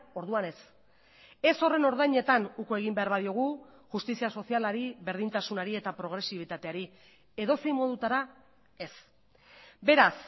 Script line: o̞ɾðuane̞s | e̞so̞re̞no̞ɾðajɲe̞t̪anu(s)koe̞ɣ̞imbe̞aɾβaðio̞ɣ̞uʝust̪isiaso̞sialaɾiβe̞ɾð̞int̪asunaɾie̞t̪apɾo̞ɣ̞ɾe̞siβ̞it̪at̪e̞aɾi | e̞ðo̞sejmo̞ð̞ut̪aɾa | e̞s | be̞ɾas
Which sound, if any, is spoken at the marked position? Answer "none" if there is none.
none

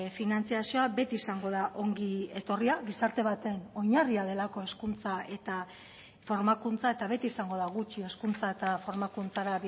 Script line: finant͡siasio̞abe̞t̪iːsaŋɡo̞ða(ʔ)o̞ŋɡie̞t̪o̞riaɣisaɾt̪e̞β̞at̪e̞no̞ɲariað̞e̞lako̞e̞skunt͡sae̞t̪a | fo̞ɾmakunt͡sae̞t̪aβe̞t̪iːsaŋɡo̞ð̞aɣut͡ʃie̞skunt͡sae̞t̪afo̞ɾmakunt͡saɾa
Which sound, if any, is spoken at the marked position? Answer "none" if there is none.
ʔ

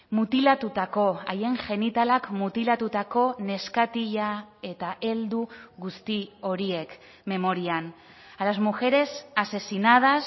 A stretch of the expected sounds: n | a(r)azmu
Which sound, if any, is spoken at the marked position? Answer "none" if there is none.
l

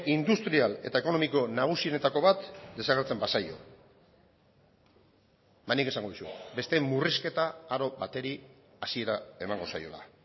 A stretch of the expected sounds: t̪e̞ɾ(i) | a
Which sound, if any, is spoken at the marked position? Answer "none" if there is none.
i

